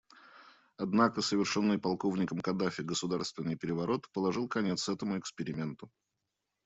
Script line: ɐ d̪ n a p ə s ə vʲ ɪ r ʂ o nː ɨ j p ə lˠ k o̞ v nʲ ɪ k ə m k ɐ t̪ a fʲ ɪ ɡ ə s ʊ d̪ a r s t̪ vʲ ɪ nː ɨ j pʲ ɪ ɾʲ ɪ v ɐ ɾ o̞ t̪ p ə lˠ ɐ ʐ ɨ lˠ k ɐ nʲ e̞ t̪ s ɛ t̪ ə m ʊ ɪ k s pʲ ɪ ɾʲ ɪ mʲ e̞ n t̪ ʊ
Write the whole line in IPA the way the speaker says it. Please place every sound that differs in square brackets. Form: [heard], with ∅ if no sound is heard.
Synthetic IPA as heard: ɐ d̪ n a [k] ə s ə vʲ ɪ r ʂ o nː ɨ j p [ɐ] lˠ k o̞ v nʲ ɪ k ə m k ɐ [d̪] a fʲ ɪ ɡ ə s ʊ d̪ a r s t̪ vʲ ɪ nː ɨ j pʲ ɪ ɾʲ ɪ v ɐ ɾ o̞ t̪ p ə lˠ ɐ ʐ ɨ lˠ k ɐ nʲ e̞ t̪ s ɛ t̪ ə m ʊ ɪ k s pʲ ɪ ɾʲ ɪ mʲ e̞ n t̪ ʊ